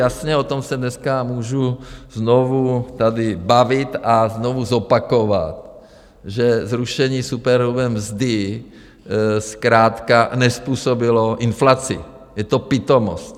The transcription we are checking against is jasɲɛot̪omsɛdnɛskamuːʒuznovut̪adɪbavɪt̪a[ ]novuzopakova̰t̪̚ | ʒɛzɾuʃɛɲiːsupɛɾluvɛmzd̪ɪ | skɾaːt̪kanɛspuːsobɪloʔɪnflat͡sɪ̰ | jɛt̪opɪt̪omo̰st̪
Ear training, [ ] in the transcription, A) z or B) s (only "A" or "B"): A